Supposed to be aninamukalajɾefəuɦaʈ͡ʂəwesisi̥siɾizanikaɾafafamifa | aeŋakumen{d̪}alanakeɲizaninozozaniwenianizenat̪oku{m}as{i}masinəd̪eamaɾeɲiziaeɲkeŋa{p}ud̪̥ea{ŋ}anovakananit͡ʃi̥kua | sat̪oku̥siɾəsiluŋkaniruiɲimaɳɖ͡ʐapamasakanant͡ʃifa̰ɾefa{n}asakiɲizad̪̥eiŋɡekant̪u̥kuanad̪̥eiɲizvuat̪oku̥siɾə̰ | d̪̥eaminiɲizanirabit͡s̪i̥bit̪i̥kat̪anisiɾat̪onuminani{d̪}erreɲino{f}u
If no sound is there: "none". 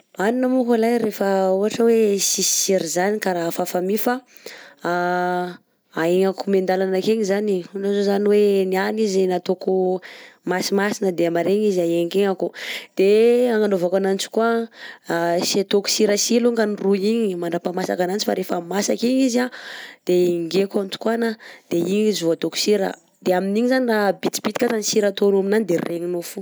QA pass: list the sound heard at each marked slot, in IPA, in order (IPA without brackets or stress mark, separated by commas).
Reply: d̪, m, i, k, ŋ, m, d̪, f